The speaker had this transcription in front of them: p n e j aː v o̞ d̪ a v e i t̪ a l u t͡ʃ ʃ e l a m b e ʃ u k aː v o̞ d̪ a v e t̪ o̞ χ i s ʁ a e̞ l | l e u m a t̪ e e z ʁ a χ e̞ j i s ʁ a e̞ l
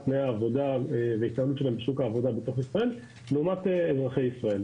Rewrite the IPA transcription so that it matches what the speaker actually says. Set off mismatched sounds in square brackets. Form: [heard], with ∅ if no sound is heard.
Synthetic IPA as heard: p n e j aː v o̞ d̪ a v e i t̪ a l u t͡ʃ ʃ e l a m b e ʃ u k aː v o̞ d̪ a [b] e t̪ o̞ χ i s ʁ a e̞ l | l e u m a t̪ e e z ʁ a χ e̞ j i s ʁ a e̞ l